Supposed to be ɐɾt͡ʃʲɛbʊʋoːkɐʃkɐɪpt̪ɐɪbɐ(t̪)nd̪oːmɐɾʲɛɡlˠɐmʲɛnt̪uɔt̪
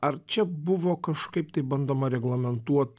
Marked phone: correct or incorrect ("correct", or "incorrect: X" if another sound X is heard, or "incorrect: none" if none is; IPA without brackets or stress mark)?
incorrect: none